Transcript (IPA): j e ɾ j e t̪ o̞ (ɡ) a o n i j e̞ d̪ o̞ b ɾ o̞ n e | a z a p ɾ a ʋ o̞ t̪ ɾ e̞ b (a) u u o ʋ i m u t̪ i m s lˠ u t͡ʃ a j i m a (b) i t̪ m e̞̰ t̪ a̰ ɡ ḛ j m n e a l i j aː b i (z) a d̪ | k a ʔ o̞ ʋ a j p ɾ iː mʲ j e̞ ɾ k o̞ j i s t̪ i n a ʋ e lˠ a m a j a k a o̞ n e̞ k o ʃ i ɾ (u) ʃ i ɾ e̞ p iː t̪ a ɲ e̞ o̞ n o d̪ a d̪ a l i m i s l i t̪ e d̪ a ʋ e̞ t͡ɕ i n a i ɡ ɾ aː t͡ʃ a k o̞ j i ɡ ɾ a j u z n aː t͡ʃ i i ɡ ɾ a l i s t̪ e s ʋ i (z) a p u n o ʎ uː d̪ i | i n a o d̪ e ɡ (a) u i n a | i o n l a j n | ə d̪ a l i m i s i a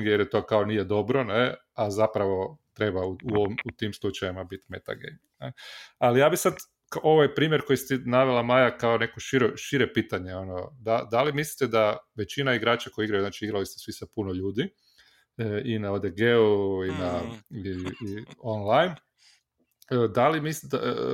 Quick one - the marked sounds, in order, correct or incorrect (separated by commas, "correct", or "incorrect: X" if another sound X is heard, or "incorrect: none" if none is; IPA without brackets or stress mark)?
incorrect: k, correct, correct, incorrect: s, incorrect: o, incorrect: s, incorrect: e